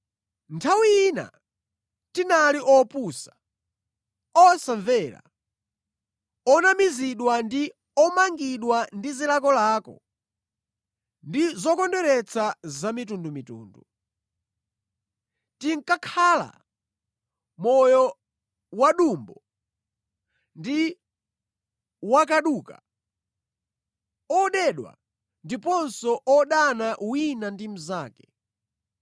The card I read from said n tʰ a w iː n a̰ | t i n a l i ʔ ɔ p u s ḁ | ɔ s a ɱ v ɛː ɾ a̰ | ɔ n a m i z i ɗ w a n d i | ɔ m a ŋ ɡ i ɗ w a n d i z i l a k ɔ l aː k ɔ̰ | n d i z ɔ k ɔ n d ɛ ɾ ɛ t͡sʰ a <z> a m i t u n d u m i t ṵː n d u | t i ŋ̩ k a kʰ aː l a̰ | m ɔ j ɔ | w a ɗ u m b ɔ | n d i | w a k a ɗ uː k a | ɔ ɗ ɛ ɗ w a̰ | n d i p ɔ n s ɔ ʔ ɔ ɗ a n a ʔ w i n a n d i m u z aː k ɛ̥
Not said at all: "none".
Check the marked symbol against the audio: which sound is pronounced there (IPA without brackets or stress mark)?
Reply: z